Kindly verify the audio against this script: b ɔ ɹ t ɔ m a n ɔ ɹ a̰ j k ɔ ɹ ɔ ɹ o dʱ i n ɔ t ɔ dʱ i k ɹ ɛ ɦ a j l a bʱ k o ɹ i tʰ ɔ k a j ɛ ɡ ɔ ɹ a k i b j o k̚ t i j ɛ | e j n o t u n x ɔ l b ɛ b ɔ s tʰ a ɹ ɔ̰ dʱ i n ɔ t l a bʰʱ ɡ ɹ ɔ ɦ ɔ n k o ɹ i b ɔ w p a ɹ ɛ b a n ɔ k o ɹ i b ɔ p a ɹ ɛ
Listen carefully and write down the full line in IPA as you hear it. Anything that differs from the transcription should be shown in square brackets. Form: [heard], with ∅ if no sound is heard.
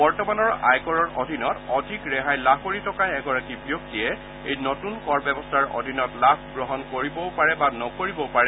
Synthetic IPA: b ɔ ɹ t ɔ m a n ɔ ɹ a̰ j k ɔ ɹ ɔ ɹ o dʱ i n ɔ t ɔ dʱ i k ɹ ɛ ɦ a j l a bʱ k o ɹ i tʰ ɔ k a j ɛ ɡ ɔ ɹ a k i b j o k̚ t i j ɛ | e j n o t u n [k] ɔ [ɹ] b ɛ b ɔ s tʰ a ɹ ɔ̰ dʱ i n ɔ t l a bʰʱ ɡ ɹ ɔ ɦ ɔ n k o ɹ i b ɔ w p a ɹ ɛ b a n ɔ k o ɹ i b ɔ p a ɹ ɛ